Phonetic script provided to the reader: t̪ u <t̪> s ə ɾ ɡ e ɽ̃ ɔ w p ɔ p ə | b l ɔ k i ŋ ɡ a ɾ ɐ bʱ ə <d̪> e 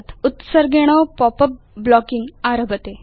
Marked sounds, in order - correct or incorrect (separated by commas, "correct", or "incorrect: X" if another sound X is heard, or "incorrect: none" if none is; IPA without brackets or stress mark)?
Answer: correct, incorrect: t̪